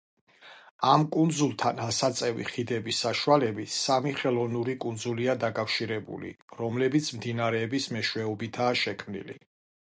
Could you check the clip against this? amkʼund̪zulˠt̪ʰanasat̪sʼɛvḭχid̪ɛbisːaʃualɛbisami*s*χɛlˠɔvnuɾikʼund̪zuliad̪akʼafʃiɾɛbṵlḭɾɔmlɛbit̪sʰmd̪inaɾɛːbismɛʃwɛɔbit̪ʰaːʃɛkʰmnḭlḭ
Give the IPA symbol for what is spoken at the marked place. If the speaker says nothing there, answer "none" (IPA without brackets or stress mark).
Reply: none